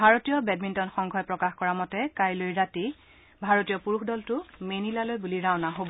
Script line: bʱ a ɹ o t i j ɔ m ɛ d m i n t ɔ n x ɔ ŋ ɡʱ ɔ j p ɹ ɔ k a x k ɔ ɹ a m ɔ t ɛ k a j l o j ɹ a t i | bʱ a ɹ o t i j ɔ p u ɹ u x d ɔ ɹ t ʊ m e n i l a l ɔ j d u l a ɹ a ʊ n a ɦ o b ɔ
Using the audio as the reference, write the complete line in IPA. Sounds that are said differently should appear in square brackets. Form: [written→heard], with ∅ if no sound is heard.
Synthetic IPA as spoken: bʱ a ɹ o t i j ɔ [m→b] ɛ d m i n t ɔ n x ɔ ŋ ɡʱ ɔ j p ɹ ɔ k a x k ɔ ɹ a m ɔ t ɛ k a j l o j ɹ a t i | bʱ a ɹ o t i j ɔ p u ɹ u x d ɔ [ɹ→l] t ʊ m e n i l a l [ɔ→o] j [d→b] u l [a→i] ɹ a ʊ n a ɦ o b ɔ